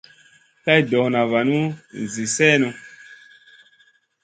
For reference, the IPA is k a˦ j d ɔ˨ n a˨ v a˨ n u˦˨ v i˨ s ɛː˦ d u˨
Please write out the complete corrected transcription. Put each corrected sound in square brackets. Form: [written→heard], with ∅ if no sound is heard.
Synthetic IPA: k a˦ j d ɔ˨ n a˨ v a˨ n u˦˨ [v→z] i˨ s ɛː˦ [d→n] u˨

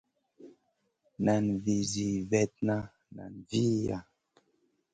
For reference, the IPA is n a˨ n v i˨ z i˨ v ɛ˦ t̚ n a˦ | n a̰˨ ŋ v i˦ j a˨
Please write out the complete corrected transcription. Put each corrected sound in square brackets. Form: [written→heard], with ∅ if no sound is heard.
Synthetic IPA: n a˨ n v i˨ z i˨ v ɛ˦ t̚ n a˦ | n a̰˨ [ŋ→n] v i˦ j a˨

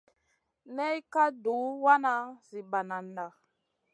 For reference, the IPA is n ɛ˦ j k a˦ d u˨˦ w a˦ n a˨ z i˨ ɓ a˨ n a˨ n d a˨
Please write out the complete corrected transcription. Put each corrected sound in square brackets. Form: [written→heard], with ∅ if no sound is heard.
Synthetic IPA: n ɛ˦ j k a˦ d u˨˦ w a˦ n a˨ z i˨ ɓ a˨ n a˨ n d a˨

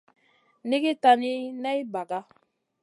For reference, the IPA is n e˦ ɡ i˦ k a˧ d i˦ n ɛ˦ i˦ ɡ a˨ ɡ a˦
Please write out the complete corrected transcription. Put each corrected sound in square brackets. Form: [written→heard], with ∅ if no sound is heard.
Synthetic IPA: n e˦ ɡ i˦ [k→t] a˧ [d→n] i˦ n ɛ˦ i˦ [ɡ→b] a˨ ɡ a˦

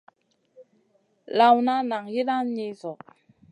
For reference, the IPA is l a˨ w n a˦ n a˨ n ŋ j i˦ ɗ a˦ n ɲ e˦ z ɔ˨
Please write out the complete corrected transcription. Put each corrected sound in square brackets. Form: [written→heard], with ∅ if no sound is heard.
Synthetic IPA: l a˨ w n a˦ n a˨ [n→∅] ŋ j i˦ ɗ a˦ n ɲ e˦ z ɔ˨

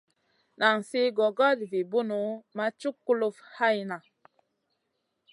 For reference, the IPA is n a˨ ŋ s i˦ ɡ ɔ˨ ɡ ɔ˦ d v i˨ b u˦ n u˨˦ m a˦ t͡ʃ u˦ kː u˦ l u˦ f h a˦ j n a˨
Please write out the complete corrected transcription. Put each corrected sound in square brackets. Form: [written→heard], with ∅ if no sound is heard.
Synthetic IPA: n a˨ ŋ s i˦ ɡ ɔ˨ ɡ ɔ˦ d v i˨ b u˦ n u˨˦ m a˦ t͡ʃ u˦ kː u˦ l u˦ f h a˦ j n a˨

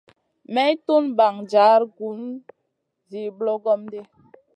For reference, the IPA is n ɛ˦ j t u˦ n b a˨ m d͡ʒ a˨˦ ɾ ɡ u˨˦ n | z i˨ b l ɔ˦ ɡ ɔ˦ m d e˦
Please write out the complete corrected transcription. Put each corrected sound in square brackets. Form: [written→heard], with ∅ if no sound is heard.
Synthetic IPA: [n→m] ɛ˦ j t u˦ n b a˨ [m→ŋ] d͡ʒ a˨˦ ɾ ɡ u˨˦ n | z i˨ b l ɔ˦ ɡ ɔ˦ m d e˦

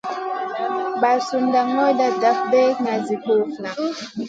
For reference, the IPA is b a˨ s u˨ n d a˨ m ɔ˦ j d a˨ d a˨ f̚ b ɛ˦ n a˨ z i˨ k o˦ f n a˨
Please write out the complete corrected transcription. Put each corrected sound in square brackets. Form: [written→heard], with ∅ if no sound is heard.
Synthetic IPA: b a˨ s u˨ n d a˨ [m→ŋ] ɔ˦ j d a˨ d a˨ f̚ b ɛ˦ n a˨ z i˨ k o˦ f n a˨

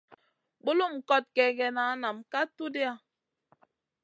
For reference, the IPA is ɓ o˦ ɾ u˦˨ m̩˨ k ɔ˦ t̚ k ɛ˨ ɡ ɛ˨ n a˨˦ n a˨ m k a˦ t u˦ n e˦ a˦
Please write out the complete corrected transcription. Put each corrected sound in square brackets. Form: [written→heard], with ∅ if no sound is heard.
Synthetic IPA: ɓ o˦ [ɾ→l] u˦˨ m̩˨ k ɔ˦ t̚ k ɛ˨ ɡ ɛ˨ n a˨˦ n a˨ m k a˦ t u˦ [n→d] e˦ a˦

